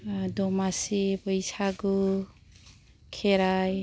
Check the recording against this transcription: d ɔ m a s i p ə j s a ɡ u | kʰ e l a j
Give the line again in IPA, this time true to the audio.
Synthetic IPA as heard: d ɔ m a s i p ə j s a ɡ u | kʰ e ɾ a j